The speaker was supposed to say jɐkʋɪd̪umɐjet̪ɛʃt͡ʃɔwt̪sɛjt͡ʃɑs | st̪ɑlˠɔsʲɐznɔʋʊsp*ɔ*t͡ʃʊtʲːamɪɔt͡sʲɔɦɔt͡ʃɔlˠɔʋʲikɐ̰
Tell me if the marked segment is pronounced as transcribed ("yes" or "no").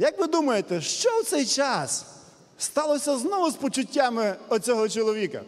yes